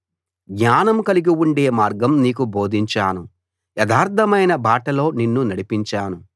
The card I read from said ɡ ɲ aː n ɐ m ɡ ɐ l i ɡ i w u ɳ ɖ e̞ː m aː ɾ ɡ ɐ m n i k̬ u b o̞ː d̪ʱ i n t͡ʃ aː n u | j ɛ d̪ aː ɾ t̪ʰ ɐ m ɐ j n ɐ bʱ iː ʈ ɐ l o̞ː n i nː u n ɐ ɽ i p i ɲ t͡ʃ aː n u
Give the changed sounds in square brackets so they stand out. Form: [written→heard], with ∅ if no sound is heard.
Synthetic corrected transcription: ɡ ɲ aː n ɐ m [ɡ→k] ɐ l i ɡ i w u ɳ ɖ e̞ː m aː ɾ ɡ ɐ m n [i→iː] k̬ u b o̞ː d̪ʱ i [n→ɲ] t͡ʃ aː n u | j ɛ d̪ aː ɾ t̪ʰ ɐ m ɐ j n ɐ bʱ [iː→aː] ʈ ɐ l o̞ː n i nː u n ɐ ɽ i p i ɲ t͡ʃ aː n u

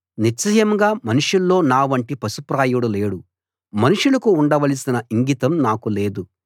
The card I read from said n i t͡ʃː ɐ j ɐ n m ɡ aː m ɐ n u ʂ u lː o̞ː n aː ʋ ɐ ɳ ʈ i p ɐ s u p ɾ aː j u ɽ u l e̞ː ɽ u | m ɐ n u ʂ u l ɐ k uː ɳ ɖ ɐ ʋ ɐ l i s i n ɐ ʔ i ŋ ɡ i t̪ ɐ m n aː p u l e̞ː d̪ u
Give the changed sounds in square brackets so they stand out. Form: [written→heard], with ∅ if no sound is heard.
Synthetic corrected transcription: n i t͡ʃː ɐ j ɐ [n→∅] m ɡ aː m ɐ n u ʂ u lː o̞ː n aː ʋ ɐ ɳ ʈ i p ɐ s u p ɾ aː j u ɽ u l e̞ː ɽ u | m ɐ n u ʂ u l ɐ k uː ɳ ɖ ɐ ʋ ɐ l i s i n ɐ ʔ i ŋ ɡ i t̪ ɐ m n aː [p→k] u l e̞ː d̪ u

